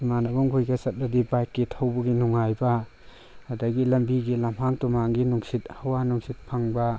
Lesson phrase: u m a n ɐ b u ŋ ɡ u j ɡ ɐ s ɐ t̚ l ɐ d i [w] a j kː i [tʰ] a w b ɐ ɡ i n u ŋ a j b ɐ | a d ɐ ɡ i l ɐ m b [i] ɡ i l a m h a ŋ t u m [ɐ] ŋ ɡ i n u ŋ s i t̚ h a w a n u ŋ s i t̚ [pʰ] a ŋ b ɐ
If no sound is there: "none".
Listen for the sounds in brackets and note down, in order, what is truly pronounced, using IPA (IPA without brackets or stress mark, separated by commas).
b, tʰ, i, a, pʰ